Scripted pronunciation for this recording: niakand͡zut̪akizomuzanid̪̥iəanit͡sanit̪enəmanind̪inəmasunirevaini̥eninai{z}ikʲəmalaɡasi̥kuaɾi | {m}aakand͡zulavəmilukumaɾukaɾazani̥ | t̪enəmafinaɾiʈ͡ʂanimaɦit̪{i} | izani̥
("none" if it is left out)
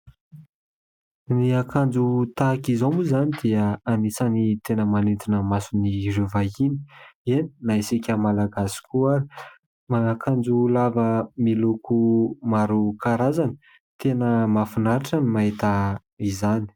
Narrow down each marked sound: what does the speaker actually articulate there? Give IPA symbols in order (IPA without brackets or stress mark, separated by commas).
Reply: s, m, a